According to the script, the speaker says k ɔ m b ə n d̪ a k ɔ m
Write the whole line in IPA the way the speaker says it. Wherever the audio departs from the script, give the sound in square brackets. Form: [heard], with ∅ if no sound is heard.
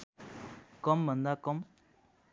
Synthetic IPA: k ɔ m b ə n d̪ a k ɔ m